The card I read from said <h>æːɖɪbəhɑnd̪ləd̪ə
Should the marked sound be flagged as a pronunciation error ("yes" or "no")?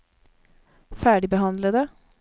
yes